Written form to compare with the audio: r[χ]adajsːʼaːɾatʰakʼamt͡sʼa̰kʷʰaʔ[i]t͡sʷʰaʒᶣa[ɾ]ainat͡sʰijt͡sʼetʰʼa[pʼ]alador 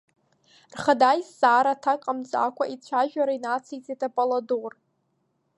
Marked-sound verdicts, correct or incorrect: correct, correct, correct, correct

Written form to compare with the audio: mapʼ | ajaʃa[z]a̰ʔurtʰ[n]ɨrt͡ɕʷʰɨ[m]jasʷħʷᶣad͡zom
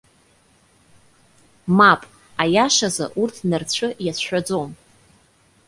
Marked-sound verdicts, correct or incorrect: correct, correct, incorrect

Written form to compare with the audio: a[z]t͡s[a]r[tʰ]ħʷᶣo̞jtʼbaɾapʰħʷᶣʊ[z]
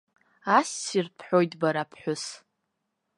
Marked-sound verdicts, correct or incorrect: incorrect, incorrect, incorrect, incorrect

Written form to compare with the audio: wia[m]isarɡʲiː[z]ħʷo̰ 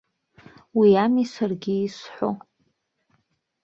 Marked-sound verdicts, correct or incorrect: correct, incorrect

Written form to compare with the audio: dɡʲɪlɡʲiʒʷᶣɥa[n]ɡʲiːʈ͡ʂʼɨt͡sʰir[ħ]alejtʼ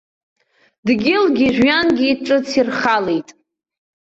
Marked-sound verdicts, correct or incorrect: correct, incorrect

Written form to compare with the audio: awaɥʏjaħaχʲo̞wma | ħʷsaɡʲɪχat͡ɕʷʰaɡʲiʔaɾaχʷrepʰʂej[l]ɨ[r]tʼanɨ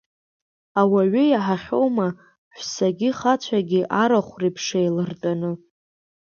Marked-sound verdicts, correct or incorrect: correct, correct

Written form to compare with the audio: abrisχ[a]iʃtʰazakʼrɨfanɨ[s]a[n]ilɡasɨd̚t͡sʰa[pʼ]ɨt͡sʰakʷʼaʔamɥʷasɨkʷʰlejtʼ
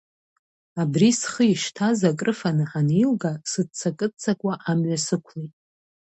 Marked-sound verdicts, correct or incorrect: incorrect, incorrect, correct, incorrect

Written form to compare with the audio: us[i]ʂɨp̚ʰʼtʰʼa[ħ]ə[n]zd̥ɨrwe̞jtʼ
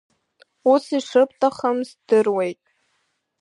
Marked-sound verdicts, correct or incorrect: correct, incorrect, incorrect

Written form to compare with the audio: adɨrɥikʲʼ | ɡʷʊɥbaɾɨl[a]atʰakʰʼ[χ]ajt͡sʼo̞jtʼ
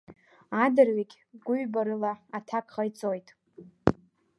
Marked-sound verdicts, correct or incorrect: correct, correct

